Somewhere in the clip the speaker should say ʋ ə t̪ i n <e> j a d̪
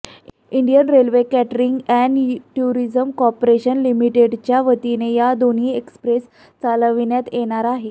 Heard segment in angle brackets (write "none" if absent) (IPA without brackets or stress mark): e